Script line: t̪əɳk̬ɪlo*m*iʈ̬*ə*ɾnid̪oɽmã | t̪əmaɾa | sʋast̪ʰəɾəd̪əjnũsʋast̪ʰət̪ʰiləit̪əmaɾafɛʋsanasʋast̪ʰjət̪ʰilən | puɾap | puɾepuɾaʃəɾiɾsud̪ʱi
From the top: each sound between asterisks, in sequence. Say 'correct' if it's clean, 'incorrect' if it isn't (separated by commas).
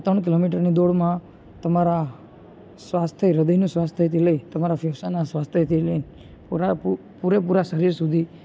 correct, correct